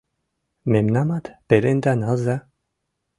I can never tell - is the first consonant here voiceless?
no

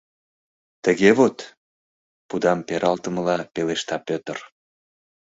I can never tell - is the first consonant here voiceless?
yes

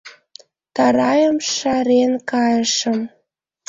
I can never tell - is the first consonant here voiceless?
yes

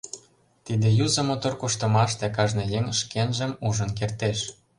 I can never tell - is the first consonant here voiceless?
yes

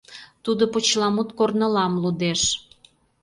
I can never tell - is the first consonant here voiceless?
yes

